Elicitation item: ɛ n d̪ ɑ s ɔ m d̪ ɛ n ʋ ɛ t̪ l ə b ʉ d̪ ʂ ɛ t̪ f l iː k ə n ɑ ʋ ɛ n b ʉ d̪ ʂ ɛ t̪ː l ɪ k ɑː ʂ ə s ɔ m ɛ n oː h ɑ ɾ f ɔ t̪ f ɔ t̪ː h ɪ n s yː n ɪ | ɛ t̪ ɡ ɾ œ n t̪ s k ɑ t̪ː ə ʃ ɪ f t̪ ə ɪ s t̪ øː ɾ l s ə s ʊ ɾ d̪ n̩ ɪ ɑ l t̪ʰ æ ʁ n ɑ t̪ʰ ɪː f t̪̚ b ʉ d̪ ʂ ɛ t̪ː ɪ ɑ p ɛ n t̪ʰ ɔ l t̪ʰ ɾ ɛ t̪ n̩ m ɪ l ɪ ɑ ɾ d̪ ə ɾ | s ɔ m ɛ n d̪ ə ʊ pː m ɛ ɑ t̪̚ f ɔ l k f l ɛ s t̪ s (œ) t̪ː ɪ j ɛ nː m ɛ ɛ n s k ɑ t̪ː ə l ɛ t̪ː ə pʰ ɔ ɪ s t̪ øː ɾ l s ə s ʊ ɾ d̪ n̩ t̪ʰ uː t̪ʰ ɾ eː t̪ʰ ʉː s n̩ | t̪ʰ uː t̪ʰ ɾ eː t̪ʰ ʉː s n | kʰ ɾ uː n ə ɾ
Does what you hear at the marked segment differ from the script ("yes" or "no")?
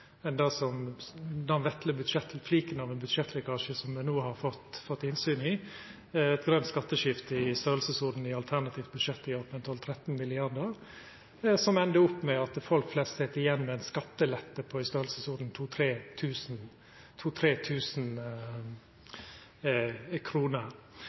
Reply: yes